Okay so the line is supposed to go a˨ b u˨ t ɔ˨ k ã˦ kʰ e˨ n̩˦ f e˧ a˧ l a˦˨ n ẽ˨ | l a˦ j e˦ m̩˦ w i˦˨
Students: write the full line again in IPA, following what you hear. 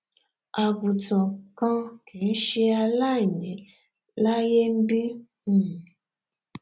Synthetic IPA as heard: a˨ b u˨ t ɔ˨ k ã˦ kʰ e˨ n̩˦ ʃ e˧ a˧ l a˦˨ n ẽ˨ | l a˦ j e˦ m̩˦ b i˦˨